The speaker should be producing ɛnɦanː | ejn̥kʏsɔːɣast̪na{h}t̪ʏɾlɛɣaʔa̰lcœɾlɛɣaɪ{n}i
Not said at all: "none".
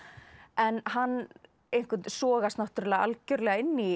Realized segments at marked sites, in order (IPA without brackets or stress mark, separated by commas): h, nː